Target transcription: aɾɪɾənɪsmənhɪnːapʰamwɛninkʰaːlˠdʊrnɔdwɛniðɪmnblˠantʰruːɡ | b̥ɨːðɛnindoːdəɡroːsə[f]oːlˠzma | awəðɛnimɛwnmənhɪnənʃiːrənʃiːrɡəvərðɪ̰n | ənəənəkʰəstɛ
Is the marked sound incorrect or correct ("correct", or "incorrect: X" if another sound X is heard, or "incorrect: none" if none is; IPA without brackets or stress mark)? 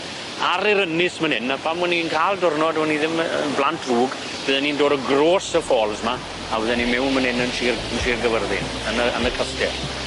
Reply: correct